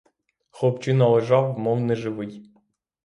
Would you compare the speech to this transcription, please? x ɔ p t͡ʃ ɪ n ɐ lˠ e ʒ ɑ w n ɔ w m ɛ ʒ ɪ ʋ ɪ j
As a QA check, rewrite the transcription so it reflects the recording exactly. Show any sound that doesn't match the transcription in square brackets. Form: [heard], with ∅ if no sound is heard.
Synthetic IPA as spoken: x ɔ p t͡ʃ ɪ n ɐ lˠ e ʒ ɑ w [m] ɔ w [n] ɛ ʒ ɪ ʋ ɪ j